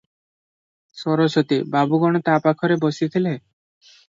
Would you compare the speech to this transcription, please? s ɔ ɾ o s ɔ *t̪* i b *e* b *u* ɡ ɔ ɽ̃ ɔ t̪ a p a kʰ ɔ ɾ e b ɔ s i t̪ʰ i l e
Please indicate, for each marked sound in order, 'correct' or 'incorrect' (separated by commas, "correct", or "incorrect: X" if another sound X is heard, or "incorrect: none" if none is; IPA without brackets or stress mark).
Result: correct, incorrect: a, correct